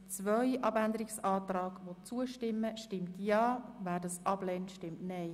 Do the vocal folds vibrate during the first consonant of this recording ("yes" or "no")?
no